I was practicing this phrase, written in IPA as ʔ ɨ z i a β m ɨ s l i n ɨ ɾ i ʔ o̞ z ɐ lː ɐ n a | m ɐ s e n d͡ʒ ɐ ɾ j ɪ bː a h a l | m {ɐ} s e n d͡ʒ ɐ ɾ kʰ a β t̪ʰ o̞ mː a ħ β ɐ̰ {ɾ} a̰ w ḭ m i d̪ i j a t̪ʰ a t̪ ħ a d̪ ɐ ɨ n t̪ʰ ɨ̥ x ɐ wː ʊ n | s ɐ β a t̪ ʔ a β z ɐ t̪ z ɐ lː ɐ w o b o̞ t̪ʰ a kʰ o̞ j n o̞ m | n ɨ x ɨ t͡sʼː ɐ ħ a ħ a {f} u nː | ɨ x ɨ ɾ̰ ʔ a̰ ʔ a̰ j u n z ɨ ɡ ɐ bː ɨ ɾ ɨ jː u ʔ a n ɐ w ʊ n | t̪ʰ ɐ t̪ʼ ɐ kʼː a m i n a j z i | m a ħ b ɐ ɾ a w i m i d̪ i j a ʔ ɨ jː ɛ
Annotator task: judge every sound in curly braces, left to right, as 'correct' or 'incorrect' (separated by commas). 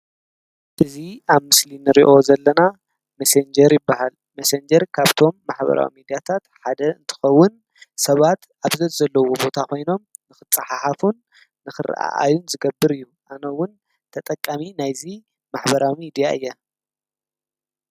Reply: correct, correct, correct